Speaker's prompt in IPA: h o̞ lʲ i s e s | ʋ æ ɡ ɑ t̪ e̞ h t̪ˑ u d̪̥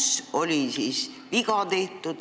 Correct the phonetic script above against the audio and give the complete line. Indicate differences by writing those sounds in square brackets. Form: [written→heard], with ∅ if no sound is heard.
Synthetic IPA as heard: [h→s] o̞ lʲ i s [e→i] s | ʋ [æ→i] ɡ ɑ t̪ e̞ h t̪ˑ u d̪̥